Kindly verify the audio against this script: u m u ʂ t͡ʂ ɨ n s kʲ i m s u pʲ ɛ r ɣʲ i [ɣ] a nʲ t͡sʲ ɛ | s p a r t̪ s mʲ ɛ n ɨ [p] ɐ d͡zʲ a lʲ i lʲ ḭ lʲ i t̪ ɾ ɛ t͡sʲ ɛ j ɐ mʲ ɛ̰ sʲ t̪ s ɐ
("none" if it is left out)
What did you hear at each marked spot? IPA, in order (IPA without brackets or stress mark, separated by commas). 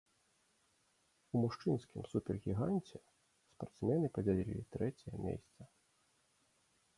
ɣ, p